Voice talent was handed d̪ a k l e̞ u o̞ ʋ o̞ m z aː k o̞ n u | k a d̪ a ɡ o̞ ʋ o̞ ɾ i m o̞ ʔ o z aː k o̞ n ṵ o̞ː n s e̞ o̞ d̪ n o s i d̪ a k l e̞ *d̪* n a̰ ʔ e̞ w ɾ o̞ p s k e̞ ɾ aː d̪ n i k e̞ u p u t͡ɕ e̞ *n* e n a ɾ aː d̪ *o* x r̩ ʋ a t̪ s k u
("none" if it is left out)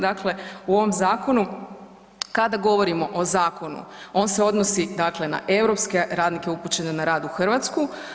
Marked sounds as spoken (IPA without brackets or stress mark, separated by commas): none, n, u